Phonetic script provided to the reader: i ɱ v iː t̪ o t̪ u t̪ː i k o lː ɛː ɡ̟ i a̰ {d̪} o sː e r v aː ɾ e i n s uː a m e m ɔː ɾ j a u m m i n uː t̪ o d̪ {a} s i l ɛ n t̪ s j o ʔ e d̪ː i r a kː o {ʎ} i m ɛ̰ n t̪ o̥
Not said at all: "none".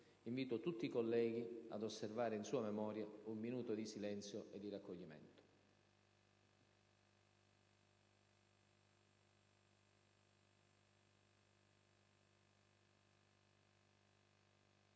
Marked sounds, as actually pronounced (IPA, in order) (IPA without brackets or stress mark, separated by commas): d̪, i, ʎː